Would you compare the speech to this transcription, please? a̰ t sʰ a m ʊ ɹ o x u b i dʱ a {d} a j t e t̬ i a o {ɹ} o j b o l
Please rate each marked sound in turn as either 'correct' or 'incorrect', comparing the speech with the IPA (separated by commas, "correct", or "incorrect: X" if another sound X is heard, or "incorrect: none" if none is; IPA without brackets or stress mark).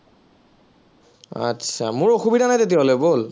incorrect: n, incorrect: l